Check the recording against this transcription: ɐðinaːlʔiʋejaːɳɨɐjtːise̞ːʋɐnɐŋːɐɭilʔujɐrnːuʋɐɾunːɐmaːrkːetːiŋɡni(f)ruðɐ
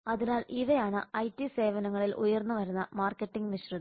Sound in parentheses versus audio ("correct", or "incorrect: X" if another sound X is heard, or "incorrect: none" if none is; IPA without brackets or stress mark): incorrect: ɕ